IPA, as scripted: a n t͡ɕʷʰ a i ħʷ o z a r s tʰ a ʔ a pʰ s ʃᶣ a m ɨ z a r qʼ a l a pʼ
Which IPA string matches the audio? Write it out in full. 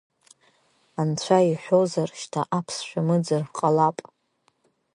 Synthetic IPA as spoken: a n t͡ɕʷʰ a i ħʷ o z a r ʃ tʰ a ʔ a pʰ s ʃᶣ a m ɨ d͡z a r qʼ a l a pʼ